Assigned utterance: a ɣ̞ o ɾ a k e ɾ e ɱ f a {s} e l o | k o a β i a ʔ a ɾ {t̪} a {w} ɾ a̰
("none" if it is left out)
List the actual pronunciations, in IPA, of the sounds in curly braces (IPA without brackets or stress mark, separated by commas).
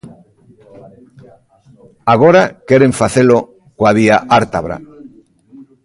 θ, t̪, β